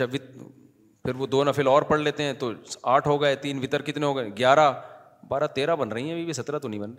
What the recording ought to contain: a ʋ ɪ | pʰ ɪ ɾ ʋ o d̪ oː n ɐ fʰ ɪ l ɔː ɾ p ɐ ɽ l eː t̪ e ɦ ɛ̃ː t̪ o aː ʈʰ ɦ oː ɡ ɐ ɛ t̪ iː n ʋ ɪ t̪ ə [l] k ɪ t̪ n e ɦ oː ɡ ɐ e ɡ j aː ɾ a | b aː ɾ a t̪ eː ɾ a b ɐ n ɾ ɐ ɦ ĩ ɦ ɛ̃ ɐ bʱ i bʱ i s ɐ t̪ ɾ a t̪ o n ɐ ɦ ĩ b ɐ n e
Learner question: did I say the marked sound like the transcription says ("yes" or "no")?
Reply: no